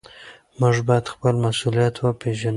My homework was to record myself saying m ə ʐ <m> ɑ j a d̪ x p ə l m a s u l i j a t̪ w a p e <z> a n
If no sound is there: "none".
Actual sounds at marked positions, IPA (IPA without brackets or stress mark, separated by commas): b, ʒ